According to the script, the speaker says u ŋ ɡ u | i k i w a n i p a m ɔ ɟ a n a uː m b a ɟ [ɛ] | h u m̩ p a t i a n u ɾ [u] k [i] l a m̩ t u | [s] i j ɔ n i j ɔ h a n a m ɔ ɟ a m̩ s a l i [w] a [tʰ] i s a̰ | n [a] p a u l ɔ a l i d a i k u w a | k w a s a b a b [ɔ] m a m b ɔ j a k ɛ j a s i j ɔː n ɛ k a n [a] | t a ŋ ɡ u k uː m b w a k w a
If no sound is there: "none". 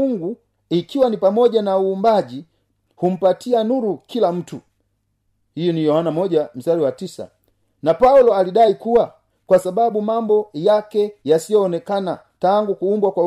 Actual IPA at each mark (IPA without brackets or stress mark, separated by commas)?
i, u, i, h, w, t, a, u, a